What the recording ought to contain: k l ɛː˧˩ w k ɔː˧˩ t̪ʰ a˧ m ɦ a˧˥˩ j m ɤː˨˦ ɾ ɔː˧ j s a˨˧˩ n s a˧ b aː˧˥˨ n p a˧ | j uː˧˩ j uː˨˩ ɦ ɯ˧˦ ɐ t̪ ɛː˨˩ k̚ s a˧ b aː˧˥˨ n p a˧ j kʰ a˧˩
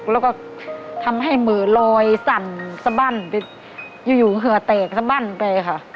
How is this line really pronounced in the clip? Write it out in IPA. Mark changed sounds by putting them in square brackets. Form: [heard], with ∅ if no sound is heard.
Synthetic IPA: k l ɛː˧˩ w k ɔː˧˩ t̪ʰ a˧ m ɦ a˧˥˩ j m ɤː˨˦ [l] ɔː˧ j s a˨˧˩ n s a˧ b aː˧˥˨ n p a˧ | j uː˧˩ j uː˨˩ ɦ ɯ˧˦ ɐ t̪ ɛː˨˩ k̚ s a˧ b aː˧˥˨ n p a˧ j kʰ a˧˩